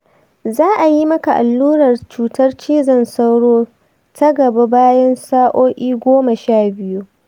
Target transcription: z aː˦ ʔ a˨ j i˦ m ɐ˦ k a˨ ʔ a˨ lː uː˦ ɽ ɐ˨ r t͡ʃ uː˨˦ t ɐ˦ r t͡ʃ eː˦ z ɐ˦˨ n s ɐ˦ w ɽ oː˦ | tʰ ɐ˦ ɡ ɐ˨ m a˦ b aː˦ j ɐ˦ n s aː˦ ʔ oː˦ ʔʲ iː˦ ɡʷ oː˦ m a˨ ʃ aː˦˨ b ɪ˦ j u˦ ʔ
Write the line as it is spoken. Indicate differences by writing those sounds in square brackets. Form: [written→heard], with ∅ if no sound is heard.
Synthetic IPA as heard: z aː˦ ʔ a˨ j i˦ m ɐ˦ k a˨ ʔ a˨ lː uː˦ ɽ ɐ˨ r t͡ʃ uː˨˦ t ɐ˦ r t͡ʃ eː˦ z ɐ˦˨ n s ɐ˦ w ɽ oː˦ | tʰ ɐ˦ ɡ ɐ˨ [m→b] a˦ b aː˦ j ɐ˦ n s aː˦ ʔ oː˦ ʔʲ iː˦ ɡʷ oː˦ m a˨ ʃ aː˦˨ b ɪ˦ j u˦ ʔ